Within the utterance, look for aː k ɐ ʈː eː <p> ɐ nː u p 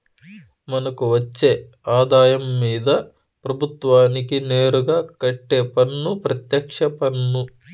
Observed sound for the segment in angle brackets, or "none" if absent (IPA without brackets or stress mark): p